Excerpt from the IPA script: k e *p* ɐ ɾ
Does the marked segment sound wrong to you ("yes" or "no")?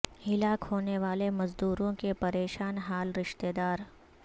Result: no